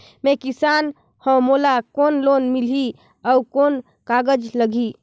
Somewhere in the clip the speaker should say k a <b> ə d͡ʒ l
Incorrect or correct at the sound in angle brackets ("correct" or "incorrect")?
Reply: incorrect